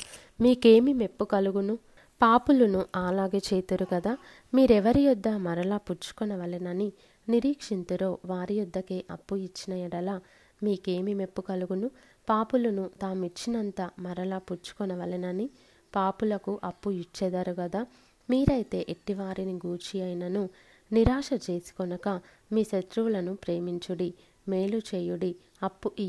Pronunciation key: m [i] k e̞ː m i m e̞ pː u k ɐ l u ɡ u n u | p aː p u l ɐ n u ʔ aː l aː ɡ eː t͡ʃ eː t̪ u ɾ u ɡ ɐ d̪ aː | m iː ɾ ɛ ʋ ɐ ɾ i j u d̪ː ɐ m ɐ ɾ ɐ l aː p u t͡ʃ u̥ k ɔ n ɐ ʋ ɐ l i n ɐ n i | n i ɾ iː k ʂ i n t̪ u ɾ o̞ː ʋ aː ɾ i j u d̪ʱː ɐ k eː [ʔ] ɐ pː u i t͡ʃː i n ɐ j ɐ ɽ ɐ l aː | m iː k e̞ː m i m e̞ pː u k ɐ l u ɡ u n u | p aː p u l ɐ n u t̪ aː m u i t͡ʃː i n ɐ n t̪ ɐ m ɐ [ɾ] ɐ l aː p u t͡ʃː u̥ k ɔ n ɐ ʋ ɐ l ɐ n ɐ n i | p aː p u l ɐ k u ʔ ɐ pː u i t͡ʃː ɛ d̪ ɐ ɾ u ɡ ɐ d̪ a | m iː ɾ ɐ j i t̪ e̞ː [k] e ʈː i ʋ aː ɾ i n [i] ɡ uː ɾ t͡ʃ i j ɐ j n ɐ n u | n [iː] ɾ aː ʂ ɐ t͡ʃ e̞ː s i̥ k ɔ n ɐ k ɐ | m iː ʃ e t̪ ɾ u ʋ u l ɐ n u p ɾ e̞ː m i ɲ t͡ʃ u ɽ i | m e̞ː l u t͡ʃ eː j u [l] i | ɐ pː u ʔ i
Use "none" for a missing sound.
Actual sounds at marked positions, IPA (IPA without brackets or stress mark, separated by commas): iː, ʔ, ɾ, ʔ, i, i, ɽ